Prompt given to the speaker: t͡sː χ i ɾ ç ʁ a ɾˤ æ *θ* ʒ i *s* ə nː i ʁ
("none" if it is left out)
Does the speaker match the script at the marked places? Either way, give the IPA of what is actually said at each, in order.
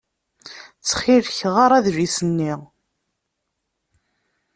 ð, s

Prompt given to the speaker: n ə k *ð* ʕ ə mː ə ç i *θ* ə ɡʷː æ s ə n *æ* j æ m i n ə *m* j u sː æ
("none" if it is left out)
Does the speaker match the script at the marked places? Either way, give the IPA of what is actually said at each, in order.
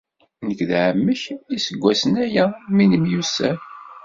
ð, s, æ, m

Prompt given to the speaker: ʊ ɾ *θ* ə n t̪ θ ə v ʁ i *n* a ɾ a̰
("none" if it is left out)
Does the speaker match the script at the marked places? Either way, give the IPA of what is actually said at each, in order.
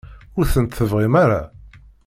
θ, m

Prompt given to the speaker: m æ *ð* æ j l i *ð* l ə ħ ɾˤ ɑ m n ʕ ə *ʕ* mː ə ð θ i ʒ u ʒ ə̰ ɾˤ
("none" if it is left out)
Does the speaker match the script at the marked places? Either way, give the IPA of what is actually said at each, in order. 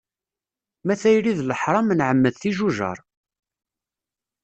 θ, ð, none

